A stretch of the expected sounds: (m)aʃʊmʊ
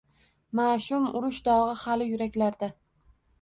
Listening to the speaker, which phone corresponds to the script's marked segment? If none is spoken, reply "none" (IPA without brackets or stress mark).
m